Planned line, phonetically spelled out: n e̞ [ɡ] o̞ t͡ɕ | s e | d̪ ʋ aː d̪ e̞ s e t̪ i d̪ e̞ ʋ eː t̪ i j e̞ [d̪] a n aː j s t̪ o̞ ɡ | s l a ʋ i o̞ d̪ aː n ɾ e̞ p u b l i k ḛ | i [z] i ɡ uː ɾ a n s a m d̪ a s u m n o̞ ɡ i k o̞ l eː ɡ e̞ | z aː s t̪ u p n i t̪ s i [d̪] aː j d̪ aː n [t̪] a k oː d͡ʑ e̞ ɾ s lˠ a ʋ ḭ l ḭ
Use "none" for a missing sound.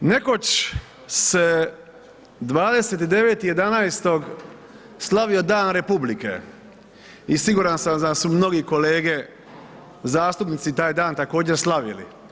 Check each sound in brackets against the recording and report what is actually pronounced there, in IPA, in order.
k, d̪, s, t̪, t̪

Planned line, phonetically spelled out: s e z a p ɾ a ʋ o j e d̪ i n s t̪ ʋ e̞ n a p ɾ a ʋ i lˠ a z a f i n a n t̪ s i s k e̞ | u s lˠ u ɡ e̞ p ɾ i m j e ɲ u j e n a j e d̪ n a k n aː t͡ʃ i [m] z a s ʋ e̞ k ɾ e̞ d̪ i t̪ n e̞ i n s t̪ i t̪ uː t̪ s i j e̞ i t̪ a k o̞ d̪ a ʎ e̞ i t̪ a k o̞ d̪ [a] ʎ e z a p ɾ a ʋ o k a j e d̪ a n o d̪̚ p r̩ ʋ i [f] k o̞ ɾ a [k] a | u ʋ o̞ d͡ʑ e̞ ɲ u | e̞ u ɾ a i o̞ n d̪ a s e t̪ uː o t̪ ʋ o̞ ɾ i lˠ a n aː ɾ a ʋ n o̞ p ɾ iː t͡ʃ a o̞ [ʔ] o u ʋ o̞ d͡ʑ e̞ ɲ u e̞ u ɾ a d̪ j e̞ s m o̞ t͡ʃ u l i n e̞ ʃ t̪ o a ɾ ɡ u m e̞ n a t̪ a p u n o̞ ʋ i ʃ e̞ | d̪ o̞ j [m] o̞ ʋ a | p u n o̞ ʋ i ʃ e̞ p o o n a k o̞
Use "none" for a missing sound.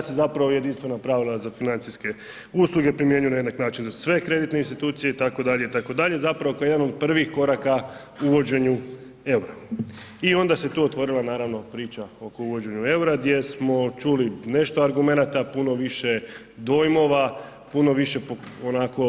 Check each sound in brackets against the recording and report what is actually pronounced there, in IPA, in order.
n, a, x, k, k, m

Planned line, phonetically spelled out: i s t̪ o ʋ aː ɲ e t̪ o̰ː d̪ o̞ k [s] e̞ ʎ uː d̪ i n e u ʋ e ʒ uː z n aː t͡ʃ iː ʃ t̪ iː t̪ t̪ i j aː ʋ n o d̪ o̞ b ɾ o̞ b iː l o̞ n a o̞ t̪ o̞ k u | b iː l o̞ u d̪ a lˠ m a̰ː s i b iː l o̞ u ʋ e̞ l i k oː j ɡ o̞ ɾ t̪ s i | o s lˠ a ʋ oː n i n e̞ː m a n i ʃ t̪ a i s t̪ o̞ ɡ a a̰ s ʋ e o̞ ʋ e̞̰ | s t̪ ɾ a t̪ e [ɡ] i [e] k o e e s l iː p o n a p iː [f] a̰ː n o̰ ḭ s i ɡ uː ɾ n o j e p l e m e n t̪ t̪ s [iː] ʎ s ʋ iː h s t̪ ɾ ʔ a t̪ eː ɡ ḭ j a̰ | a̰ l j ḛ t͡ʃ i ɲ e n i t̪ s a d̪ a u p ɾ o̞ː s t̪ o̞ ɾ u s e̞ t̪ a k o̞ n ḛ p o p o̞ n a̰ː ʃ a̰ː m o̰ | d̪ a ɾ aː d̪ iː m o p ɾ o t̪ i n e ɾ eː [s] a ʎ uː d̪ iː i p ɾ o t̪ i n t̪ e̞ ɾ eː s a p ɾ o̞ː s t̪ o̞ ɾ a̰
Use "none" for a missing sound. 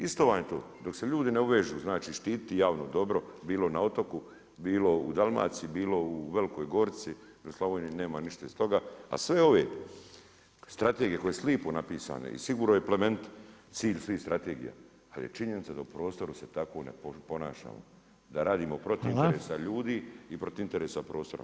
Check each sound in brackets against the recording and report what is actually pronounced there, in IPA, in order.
s, ɡ, e, s, iː, s

